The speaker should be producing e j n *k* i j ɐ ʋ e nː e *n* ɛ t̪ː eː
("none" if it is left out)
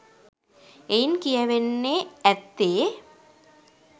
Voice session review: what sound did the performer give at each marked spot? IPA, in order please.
k, none

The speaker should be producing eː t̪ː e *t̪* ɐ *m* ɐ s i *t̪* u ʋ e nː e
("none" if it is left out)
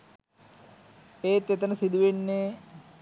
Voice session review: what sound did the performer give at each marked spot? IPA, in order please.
t̪, n, d̪

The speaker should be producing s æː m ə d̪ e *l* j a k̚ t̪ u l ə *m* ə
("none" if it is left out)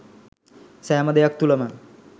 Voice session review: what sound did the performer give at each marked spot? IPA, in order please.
none, m

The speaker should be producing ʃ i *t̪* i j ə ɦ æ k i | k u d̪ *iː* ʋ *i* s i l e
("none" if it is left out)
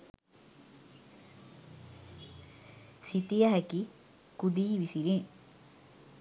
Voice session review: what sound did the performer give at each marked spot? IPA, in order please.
t̪, iː, i

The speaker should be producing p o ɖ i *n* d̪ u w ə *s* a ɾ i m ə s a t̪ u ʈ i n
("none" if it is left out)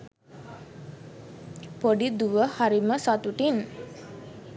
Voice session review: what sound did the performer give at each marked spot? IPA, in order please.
none, h

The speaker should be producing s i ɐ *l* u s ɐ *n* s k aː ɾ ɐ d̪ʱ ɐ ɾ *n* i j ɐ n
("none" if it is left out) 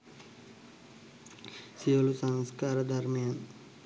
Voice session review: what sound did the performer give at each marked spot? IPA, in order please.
l, ŋ, m

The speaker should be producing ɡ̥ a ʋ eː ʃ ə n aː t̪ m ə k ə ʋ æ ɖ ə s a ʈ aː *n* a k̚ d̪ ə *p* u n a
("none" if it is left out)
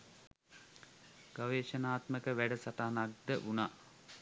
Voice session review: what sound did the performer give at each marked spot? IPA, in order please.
n, ʔ

